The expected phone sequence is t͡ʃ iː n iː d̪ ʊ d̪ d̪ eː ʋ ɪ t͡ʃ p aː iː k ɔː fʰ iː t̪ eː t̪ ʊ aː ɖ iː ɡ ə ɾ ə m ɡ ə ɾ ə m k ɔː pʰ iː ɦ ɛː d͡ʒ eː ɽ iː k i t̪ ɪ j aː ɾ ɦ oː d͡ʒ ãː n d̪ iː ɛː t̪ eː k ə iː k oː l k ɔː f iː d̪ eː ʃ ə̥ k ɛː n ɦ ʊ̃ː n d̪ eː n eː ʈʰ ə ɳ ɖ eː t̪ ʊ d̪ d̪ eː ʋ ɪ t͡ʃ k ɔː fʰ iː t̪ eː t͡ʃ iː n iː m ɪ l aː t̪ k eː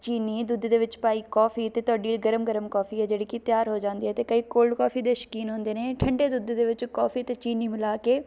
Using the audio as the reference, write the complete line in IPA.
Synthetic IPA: t͡ʃ iː n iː d̪ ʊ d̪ d̪ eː ʋ ɪ t͡ʃ p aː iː k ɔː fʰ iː t̪ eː t̪ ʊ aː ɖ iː ɡ ə ɾ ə m ɡ ə ɾ ə m k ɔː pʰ iː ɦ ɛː d͡ʒ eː ɽ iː k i t̪ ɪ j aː ɾ ɦ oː d͡ʒ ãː n d̪ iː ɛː t̪ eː k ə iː k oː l k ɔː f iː d̪ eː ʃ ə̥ k iː n ɦ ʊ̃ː n d̪ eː n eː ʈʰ ə ɳ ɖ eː d̪ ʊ d̪ d̪ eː ʋ ɪ t͡ʃ k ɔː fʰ iː t̪ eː t͡ʃ iː n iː m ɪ l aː k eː